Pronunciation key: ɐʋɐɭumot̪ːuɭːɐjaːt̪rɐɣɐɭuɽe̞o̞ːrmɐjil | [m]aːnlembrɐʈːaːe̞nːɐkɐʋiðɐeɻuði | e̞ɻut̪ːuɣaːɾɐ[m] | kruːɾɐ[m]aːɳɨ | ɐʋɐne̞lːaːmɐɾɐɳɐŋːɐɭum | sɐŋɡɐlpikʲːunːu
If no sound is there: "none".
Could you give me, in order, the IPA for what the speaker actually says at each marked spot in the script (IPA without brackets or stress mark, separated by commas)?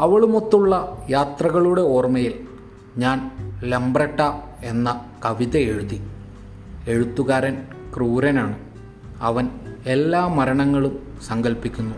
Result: ɲ, n, n